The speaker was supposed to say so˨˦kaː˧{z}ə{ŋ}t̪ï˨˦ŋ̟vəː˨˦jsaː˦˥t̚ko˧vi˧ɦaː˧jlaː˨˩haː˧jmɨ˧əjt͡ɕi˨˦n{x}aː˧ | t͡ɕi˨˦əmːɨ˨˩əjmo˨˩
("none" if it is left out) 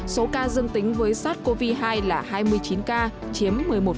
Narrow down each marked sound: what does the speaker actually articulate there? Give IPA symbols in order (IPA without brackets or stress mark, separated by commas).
z, ŋ, k